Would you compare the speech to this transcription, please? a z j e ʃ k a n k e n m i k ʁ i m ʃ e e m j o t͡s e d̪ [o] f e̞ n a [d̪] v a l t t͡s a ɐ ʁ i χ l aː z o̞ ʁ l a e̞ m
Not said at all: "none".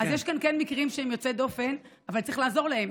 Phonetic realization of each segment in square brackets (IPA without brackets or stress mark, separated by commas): o, none